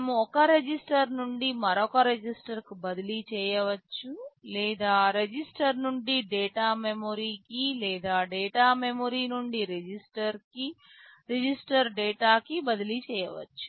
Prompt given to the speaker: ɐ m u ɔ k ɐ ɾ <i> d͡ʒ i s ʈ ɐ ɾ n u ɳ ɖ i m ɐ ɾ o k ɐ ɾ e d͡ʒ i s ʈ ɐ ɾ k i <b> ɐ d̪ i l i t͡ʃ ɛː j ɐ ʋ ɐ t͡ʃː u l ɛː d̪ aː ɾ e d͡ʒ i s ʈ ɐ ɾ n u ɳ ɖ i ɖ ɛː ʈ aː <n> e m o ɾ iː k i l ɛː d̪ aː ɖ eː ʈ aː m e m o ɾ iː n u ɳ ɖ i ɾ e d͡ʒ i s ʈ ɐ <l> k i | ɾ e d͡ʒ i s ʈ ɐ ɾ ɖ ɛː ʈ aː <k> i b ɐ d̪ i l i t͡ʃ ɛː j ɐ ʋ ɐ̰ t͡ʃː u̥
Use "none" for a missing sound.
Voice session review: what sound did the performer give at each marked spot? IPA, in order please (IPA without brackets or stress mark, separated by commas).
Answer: e, b, m, ɾ, k